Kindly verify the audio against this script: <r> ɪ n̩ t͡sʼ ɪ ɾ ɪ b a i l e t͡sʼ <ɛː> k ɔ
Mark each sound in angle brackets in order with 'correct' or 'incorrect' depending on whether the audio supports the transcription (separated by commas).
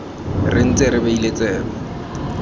correct, correct